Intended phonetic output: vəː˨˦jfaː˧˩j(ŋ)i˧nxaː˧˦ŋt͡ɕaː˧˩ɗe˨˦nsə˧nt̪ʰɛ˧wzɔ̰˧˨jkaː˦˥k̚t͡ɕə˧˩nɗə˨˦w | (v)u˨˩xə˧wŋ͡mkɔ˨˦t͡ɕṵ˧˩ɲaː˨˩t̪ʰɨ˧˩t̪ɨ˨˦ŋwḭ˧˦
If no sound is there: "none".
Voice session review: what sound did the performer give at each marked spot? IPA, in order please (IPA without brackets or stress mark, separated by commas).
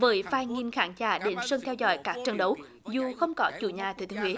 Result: ŋ, z